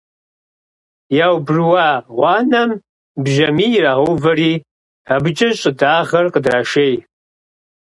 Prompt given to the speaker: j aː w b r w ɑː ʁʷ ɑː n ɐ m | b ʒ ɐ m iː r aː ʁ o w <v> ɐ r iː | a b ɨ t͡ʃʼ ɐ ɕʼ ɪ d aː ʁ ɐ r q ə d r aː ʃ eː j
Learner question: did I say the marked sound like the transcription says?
yes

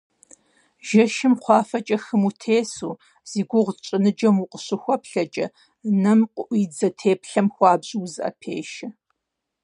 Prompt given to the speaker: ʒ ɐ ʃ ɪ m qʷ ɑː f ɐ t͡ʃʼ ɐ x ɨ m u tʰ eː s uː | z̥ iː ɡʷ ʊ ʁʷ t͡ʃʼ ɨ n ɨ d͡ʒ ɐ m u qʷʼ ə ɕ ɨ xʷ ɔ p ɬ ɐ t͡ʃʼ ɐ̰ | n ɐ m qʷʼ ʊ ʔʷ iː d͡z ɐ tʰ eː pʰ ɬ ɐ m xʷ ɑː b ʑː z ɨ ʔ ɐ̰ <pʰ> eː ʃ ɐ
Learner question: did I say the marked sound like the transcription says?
yes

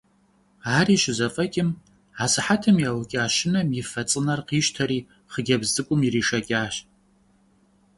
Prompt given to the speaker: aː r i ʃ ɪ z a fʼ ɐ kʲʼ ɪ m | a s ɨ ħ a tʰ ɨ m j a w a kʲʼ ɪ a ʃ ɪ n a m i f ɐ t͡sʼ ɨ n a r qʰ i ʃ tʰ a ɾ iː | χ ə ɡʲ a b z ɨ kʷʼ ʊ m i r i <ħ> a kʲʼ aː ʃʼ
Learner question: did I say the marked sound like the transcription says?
no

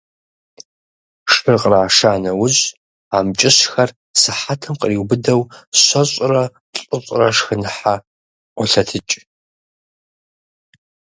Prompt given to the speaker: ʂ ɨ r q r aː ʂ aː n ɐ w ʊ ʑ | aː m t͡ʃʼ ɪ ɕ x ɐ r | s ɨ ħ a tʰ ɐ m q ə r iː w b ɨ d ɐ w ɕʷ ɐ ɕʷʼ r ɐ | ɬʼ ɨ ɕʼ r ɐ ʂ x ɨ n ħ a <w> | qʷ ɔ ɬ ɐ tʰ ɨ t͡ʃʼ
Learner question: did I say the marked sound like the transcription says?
no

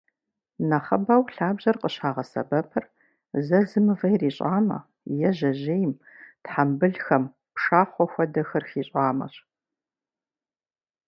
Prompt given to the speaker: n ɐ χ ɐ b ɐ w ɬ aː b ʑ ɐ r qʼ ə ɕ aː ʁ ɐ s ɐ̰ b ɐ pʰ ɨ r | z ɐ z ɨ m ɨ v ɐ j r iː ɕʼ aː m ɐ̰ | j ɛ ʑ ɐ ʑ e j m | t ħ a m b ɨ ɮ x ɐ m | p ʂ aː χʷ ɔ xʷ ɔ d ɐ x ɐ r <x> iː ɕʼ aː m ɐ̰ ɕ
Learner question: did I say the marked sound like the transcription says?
yes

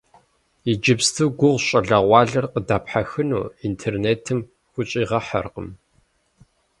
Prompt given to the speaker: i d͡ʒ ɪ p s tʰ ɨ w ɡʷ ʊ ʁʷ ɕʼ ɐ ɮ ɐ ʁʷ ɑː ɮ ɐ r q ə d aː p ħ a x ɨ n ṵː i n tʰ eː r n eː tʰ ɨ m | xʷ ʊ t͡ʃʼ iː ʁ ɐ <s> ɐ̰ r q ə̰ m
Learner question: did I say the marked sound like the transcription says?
no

